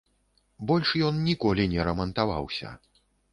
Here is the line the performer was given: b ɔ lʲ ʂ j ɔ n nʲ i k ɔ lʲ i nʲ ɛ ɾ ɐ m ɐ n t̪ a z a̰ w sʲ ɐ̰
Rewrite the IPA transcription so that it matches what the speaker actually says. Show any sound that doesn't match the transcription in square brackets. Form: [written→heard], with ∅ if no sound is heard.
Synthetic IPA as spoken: b ɔ lʲ ʂ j ɔ n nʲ i k ɔ lʲ i nʲ ɛ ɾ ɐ m ɐ n t̪ a [z→v] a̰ w sʲ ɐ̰

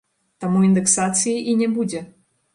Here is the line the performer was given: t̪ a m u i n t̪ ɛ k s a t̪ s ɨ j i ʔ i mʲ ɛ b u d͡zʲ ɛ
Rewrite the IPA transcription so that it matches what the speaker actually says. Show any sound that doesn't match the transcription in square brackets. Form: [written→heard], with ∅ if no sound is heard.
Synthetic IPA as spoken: t̪ a m u i n [t̪→d̪] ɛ k s a t̪ s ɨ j i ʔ i [mʲ→nʲ] ɛ b u d͡zʲ ɛ

